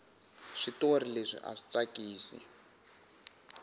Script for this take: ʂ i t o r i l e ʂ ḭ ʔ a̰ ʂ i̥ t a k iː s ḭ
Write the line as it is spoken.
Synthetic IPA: ʂ i t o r i l e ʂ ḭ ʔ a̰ ʂ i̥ t͡s a k iː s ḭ